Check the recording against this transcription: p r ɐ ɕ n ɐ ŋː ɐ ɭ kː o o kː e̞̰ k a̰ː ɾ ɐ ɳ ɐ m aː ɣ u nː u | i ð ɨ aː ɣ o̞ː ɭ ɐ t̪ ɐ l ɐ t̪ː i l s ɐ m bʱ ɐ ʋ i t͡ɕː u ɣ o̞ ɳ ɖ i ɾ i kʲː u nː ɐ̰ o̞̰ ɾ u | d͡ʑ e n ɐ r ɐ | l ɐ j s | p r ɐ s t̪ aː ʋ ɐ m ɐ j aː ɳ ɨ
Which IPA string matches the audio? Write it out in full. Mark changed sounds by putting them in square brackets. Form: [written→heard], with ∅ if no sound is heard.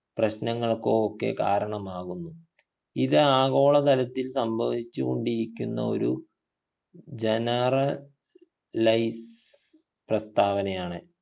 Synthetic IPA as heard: p r ɐ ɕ n ɐ ŋː ɐ ɭ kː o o kː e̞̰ k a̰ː ɾ ɐ ɳ ɐ m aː ɣ u nː u | i ð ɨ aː ɣ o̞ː ɭ ɐ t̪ ɐ l ɐ t̪ː i l s ɐ m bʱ ɐ ʋ i t͡ɕː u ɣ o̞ ɳ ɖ i ɾ i kʲː u nː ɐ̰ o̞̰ ɾ u | d͡ʑ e n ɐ r ɐ | l ɐ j s | p r ɐ s t̪ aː ʋ ɐ [m→n] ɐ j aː ɳ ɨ